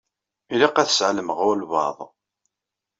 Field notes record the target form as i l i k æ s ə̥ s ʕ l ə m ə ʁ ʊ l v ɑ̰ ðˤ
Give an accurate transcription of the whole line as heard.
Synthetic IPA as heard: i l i q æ θ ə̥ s ʕ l ə m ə ʁ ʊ l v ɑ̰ ðˤ